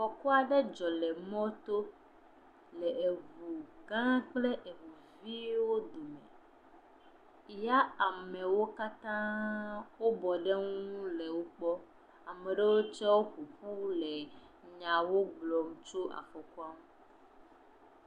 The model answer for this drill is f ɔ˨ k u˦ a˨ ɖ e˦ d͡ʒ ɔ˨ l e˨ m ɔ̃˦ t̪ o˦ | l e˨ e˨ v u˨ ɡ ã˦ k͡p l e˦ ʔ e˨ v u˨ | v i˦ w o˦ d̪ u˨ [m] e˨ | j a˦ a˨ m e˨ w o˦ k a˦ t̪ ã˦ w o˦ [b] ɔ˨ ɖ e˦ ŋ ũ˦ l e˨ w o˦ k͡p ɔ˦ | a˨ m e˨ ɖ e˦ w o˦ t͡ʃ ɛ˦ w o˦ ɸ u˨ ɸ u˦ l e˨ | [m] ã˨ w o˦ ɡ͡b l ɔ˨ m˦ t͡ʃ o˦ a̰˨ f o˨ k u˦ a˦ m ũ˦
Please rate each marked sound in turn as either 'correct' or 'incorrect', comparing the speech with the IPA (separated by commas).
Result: correct, correct, incorrect